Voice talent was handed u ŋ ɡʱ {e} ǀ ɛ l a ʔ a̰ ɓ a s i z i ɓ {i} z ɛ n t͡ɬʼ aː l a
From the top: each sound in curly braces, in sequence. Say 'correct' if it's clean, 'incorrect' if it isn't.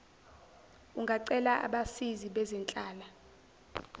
incorrect: a, incorrect: ɛ

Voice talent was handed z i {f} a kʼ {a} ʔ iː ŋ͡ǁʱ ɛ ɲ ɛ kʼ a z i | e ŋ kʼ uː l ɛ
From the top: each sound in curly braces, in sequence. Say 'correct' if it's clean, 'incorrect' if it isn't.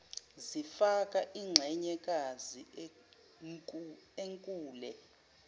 correct, correct

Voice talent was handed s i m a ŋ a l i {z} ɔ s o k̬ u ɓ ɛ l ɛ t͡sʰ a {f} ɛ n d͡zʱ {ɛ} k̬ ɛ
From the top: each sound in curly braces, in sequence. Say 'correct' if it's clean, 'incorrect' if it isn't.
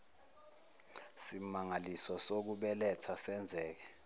incorrect: s, incorrect: s, incorrect: ɛː

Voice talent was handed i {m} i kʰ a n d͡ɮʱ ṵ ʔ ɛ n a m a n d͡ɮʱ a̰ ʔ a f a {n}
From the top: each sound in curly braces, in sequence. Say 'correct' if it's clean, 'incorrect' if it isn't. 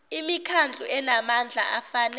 correct, correct

